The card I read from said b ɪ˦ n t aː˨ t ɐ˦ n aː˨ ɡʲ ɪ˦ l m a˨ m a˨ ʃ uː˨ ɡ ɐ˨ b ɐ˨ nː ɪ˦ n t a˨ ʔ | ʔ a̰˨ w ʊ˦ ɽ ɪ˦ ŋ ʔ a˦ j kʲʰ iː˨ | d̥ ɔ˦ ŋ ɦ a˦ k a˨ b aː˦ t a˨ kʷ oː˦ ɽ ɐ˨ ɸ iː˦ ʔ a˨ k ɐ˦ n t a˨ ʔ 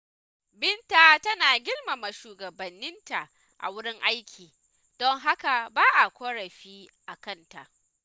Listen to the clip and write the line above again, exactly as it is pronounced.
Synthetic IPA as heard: b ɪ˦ n t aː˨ t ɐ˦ n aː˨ ɡʲ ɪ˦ l m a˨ m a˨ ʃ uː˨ ɡ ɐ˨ b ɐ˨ nː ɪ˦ n t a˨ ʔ | ʔ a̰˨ w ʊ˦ ɽ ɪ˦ ŋ ʔ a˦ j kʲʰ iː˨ | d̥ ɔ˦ ŋ ɦ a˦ k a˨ b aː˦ ʔ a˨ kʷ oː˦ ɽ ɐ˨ ɸ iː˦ ʔ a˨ k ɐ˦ n t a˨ ʔ